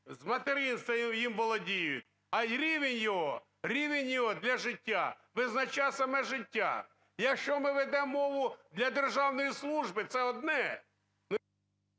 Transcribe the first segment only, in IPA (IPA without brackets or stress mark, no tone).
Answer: z